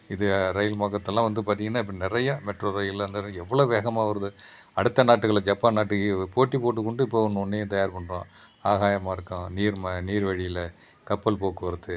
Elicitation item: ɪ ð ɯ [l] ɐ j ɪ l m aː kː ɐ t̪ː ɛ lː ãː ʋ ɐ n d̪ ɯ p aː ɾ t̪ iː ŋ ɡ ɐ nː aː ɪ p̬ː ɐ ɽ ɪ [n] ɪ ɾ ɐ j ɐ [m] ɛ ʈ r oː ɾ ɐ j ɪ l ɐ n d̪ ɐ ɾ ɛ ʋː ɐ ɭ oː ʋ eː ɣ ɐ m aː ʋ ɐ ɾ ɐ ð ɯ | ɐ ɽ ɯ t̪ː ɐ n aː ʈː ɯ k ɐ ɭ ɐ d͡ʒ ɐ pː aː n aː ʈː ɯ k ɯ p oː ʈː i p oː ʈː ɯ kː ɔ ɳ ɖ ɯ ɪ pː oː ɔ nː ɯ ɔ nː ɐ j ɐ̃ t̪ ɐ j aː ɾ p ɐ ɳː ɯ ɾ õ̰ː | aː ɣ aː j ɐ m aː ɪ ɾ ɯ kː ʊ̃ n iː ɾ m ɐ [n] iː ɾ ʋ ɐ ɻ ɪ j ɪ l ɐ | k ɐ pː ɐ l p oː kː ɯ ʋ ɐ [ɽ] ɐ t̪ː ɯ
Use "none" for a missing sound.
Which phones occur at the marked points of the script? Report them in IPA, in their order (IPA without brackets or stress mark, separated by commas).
ɾ, n, m, n, ɾ